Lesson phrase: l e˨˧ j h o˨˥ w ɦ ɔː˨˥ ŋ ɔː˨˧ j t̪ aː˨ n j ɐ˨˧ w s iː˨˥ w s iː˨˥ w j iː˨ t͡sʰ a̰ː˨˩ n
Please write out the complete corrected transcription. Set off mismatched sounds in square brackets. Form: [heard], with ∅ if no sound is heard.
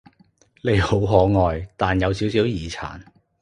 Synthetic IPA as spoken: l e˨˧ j h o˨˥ w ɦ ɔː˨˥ ŋ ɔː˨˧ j t̪ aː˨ n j ɐ˨˧ w s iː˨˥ w s iː˨˥ w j iː˨ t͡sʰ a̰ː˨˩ n